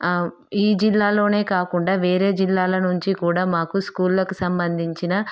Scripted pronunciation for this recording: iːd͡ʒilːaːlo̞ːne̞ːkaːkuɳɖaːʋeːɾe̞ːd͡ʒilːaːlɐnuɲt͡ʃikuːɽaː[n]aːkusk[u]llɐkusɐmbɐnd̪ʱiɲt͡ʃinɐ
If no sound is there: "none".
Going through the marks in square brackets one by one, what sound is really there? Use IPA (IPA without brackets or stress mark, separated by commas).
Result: m, uː